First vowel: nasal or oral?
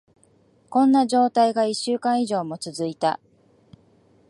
nasal